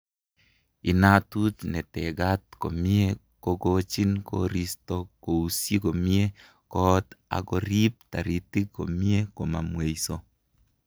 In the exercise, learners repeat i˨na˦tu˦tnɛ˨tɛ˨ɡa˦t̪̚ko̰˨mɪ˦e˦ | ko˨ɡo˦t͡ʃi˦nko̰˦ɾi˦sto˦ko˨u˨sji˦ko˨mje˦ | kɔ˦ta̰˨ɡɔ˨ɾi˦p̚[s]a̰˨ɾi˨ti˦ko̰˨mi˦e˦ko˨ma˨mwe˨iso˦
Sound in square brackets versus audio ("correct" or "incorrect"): incorrect